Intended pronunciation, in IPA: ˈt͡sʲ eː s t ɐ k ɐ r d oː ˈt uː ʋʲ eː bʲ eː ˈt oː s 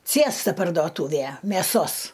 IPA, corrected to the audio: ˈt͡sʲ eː s t ɐ p ɐ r d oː ˈt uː ʋʲ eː mʲ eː ˈs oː s